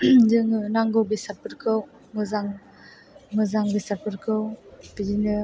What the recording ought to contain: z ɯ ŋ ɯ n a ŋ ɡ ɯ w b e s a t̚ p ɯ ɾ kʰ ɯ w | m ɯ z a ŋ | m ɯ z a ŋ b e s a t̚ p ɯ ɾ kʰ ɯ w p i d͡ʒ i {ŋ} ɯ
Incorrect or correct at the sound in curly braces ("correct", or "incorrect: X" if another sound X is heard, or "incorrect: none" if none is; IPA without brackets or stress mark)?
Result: incorrect: n